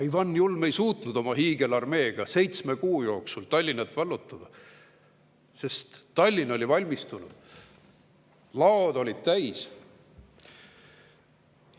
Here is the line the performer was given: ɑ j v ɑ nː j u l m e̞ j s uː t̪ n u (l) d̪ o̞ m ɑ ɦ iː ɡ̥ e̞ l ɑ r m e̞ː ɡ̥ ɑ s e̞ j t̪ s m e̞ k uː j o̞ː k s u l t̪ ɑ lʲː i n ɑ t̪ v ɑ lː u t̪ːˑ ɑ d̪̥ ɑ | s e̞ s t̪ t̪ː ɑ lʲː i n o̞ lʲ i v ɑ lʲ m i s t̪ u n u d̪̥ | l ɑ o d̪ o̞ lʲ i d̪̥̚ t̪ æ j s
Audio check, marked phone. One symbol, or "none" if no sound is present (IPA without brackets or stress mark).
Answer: none